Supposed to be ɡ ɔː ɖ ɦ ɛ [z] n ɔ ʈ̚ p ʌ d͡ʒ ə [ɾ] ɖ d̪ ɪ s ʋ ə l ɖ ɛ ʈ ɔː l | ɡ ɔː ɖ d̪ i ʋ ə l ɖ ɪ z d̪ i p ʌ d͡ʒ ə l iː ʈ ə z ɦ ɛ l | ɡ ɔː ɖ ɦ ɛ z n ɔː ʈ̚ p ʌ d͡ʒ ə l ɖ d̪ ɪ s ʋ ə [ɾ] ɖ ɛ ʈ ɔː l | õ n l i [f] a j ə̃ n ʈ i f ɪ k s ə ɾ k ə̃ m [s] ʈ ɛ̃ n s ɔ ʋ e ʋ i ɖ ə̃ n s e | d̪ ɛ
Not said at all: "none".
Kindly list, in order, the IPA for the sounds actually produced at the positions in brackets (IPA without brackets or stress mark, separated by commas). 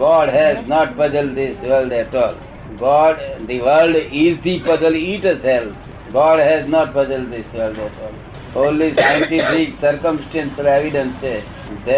z, l, l, s, s